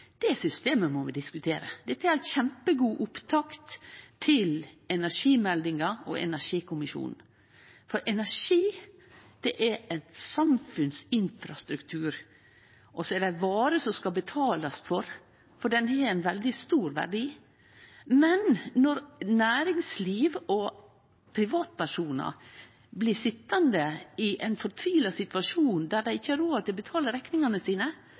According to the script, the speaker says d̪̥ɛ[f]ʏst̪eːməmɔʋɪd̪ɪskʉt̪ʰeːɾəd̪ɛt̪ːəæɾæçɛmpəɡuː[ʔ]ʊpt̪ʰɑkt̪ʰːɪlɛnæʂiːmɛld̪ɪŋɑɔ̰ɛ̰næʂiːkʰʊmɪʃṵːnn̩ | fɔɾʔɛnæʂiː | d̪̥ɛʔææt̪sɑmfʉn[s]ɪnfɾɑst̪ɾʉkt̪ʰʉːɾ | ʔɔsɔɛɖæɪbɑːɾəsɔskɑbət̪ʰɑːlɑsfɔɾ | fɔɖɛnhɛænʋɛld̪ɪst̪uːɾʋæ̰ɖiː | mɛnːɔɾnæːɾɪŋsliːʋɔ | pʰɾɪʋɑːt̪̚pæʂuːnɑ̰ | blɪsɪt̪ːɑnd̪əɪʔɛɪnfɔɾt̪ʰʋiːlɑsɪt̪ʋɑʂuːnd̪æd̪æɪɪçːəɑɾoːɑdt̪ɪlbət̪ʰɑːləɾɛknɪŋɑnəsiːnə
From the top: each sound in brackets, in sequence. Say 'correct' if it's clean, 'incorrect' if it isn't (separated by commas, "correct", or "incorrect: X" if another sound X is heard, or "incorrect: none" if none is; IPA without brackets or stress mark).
incorrect: s, correct, correct